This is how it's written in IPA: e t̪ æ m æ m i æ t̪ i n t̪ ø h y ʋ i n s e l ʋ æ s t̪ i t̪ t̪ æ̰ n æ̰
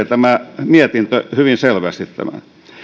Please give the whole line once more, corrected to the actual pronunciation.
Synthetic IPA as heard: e t̪ æ m æ m i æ t̪ i n t̪ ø h y ʋ i n s e l ʋ æ s t̪ i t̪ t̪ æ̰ m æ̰

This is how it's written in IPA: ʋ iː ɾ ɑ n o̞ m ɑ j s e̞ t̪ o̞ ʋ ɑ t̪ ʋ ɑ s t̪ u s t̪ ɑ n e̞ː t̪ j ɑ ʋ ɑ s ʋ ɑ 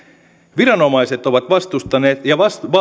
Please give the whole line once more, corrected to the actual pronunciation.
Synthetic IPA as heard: ʋ i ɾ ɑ n o̞ m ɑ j s e̞ t̪ o̞ ʋ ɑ t̪ ʋ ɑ s t̪ u s t̪ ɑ n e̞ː t̪ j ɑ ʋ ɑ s ʋ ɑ

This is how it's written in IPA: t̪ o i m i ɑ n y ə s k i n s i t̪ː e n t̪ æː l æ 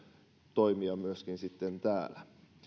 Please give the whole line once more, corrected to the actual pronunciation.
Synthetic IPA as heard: t̪ o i m i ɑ m y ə s k i n s i t̪ː e n t̪ æː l æ

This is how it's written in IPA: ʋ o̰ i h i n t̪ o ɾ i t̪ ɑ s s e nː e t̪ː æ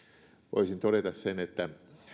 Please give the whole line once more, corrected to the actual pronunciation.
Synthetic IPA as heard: ʋ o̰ i s i n t̪ o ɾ e t̪ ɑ s s e n e t̪ː æ

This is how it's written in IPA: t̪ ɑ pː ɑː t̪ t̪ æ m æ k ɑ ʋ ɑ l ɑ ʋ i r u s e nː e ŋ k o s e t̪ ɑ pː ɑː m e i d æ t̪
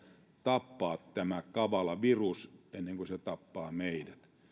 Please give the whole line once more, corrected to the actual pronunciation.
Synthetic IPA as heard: t̪ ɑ pː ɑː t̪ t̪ æ m æ k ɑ ʋ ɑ l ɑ ʋ i r u s e nː e ŋ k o s e t̪ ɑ pː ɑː m e i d æ t̪

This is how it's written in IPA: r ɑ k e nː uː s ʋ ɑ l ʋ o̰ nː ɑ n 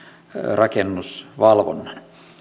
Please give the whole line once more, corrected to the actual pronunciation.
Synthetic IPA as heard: r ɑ k e nː u s ʋ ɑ l ʋ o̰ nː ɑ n

